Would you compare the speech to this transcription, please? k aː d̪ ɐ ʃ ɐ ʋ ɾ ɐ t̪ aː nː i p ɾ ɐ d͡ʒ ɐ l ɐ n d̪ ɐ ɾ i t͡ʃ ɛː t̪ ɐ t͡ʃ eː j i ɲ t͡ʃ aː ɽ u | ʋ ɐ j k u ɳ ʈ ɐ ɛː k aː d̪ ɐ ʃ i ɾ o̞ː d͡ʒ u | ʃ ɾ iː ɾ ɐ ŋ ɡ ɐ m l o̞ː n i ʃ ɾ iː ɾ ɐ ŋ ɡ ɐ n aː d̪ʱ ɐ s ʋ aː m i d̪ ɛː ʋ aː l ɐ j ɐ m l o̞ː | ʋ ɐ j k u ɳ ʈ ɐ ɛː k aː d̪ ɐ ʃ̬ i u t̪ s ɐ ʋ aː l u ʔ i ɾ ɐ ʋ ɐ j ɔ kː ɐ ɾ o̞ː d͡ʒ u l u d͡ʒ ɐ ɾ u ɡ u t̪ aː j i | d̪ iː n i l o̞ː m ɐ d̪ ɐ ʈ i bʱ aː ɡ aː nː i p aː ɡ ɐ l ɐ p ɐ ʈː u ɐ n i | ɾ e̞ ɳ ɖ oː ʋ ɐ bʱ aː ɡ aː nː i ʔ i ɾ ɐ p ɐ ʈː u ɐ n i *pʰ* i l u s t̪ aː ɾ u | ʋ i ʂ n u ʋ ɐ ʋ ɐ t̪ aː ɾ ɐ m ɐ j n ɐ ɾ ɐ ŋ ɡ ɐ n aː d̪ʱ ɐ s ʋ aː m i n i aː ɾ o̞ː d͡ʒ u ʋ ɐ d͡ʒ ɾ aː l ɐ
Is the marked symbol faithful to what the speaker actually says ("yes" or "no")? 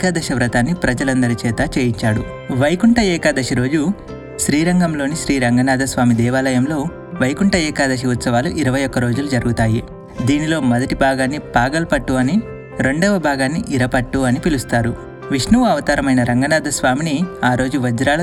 no